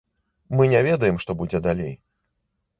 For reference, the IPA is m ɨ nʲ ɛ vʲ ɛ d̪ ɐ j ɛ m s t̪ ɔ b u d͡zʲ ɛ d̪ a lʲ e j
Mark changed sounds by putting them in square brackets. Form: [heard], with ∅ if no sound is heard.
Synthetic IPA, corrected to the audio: m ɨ nʲ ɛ vʲ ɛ d̪ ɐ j ɛ m [ʂ] t̪ ɔ b u d͡zʲ ɛ d̪ a lʲ e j